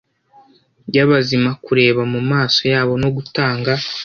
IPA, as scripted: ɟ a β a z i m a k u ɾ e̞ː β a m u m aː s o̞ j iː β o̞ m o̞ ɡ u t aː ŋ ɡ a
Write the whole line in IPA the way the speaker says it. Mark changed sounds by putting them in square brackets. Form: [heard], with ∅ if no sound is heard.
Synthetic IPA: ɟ a β a z i m a k u ɾ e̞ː β a m u m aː s o̞ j [aː] β o̞ [n] o̞ ɡ u t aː ŋ ɡ a